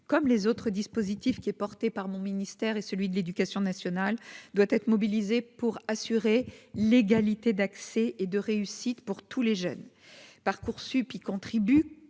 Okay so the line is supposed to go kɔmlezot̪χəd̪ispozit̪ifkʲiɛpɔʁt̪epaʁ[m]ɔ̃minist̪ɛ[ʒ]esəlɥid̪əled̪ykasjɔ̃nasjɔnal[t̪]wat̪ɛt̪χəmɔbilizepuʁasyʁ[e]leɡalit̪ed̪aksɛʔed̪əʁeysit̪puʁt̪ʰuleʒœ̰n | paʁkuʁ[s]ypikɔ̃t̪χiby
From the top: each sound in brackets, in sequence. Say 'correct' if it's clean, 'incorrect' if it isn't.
correct, incorrect: ʁ, incorrect: d̪, correct, correct

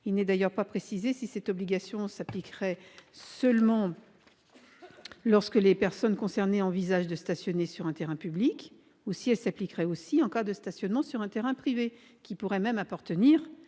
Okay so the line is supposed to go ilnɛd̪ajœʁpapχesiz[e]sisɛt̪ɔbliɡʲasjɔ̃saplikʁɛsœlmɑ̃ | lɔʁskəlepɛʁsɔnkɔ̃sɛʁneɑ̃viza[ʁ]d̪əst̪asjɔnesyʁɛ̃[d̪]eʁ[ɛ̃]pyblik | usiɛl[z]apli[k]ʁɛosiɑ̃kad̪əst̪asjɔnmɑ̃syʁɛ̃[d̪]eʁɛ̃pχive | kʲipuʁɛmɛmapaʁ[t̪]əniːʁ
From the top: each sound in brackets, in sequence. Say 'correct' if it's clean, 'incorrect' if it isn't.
correct, incorrect: ʒ, incorrect: t̪, correct, incorrect: s, correct, incorrect: t̪, correct

